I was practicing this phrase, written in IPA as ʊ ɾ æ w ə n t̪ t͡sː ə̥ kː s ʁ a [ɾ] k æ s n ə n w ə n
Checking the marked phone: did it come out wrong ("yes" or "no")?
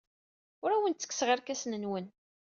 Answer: no